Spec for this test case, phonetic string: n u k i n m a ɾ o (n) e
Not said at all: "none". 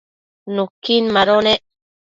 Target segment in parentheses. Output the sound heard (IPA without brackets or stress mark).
n